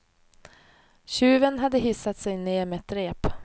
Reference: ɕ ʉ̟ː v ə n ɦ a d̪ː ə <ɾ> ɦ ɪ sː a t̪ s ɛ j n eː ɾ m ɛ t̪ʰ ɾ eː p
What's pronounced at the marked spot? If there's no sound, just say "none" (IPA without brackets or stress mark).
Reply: none